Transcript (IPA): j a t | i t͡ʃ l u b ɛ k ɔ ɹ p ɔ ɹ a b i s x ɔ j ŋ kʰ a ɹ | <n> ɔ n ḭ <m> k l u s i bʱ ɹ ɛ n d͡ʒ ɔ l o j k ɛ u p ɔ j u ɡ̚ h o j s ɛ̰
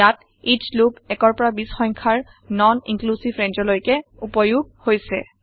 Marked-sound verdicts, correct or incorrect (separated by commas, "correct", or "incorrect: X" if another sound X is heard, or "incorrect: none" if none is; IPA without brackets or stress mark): correct, incorrect: ŋ